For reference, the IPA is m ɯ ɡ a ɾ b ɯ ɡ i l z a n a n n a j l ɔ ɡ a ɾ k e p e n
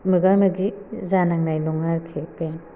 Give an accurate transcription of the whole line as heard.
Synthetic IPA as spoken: m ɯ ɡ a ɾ m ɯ ɡ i z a n a ŋ n a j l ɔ ŋ a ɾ kʰ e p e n